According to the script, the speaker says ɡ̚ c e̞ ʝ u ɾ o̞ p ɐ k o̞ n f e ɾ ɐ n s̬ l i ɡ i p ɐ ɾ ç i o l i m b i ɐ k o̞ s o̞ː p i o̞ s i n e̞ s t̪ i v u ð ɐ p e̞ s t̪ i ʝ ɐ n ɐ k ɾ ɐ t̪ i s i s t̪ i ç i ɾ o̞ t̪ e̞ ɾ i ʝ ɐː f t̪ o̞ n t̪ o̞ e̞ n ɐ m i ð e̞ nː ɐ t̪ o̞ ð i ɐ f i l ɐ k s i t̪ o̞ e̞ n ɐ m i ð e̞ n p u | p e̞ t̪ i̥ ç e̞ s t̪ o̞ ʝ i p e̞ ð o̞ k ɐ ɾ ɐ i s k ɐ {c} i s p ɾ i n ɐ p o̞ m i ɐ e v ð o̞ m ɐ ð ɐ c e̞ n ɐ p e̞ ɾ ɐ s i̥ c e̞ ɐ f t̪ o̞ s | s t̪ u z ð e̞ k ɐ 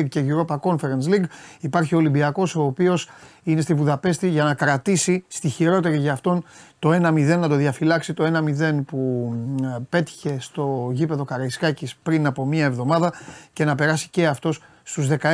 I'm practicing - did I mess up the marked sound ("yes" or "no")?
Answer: no